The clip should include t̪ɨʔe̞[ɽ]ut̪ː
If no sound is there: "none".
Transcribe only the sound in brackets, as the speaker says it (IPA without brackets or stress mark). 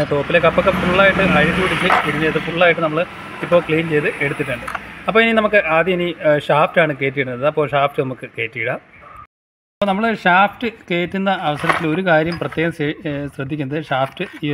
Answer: ɽ